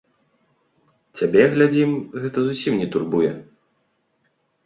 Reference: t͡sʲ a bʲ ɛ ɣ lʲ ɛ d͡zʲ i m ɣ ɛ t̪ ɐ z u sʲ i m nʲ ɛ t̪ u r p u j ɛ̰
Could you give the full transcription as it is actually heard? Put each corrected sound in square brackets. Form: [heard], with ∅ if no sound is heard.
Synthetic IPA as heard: t͡sʲ a bʲ ɛ ɣ lʲ [a] d͡zʲ i m ɣ ɛ t̪ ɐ z u sʲ i m nʲ ɛ t̪ u r [b] u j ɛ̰

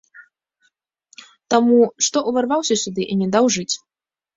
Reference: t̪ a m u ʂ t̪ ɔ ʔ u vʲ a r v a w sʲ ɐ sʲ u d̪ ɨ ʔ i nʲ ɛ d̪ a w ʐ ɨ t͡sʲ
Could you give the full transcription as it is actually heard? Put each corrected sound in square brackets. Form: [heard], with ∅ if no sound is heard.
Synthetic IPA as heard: t̪ a m u ʂ t̪ ɔ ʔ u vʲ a r v a w sʲ ɐ sʲ u d̪ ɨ ʔ i nʲ ɛ d̪ a w ʐ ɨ t͡sʲ

